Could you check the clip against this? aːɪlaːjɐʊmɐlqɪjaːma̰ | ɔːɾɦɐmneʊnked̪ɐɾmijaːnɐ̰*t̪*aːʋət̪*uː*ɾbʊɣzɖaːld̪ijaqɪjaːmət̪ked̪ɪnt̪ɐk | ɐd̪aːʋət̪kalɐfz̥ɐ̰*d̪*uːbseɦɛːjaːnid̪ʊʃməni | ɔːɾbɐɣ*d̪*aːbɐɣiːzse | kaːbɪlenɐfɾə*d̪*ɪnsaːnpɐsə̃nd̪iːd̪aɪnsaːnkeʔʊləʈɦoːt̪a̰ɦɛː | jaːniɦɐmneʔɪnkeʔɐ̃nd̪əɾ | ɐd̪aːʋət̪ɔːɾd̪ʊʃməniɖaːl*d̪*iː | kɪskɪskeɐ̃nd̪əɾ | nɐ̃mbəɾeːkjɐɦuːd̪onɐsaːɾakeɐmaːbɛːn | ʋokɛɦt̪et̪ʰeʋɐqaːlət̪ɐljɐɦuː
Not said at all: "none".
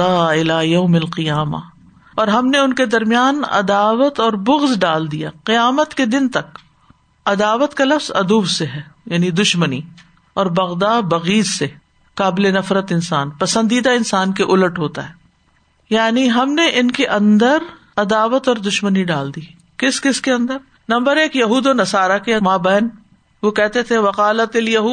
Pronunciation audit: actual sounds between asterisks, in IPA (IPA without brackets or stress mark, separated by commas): d̪, ɔː, d̪, d̪, t̪, d̪